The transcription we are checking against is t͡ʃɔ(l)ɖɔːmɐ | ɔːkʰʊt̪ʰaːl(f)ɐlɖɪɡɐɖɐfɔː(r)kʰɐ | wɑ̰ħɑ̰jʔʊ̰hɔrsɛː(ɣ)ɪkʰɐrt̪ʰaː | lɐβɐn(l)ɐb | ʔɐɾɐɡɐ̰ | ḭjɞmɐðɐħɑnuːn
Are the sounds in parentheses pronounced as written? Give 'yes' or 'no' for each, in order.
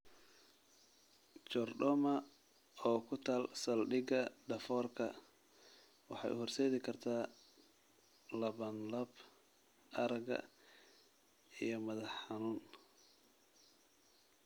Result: no, no, yes, no, yes

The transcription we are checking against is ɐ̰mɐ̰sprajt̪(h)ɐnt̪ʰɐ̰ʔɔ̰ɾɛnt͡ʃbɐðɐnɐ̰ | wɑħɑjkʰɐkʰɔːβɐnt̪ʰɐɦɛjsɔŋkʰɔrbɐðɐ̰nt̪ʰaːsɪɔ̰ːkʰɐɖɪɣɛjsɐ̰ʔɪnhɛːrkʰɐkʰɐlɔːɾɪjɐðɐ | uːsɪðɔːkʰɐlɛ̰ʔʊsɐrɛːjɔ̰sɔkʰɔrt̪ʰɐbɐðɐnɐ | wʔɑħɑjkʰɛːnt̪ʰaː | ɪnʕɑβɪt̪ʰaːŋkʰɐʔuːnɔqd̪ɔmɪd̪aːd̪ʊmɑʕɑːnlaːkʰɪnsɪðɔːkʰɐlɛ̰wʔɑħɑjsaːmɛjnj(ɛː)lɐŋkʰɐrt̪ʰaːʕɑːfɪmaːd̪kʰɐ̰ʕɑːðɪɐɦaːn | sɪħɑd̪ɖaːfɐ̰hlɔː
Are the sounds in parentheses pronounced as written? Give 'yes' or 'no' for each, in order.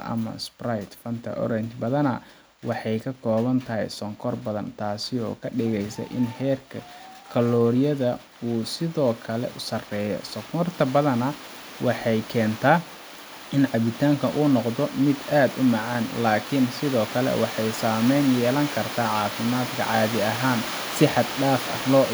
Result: no, yes

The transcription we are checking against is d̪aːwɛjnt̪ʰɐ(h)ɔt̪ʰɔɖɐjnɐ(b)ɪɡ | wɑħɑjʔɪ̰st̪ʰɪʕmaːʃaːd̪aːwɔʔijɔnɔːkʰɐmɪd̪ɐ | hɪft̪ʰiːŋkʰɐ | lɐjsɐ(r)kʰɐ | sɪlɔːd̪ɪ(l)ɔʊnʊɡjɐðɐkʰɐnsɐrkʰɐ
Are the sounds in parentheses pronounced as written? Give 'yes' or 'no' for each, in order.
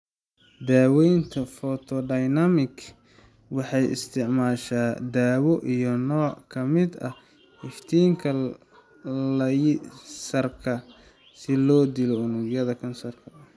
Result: no, no, yes, yes

